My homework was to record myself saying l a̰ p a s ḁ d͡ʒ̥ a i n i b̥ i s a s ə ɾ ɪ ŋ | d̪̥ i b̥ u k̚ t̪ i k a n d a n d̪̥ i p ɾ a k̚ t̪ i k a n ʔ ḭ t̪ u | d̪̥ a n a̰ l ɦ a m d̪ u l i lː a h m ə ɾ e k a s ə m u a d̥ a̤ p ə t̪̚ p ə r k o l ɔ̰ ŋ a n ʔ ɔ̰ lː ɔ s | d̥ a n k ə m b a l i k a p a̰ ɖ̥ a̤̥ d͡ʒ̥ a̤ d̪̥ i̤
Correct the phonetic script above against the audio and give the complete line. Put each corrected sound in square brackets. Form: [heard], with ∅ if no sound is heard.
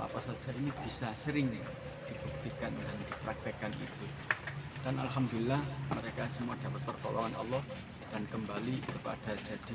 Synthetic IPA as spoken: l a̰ p a s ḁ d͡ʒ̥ a i n i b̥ i s a s ə ɾ ɪ ŋ | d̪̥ i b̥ u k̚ t̪ i k a n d a n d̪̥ i p ɾ a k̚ t̪ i k a n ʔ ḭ t̪ u | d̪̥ a n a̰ l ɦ a m d̪ u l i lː a h m ə ɾ e k a s ə m u a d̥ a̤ p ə t̪̚ p ə r k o l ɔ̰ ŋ a n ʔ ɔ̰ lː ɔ [h] | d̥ a n k ə m b a l i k [ə] p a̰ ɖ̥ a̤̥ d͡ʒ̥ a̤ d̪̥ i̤